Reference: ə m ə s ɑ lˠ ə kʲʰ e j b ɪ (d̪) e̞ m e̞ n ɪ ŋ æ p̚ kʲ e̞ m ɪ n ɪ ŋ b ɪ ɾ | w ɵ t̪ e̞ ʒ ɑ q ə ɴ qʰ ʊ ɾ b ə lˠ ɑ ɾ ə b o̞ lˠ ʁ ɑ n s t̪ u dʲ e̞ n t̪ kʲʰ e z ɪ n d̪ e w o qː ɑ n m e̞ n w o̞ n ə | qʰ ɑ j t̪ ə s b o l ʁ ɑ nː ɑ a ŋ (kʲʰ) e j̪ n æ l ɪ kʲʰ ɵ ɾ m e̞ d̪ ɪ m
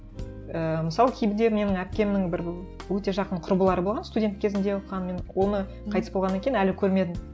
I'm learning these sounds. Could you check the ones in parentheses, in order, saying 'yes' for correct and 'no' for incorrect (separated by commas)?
yes, no